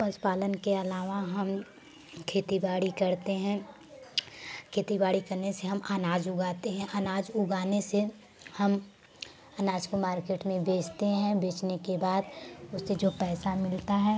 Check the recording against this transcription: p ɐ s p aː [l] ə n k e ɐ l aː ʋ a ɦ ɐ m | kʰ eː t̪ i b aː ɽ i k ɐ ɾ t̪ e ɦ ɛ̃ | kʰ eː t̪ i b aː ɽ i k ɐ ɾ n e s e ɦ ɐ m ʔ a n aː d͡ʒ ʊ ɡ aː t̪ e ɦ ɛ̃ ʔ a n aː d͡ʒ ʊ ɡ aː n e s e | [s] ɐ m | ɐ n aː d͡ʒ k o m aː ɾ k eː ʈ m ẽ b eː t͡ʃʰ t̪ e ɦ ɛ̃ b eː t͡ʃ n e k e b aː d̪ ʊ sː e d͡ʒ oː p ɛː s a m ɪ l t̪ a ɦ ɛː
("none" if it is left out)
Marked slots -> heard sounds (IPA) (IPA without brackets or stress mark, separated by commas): l, h